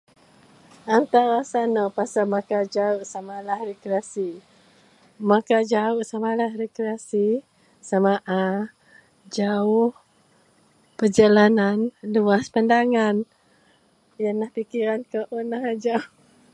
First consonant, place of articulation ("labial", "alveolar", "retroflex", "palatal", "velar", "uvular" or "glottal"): alveolar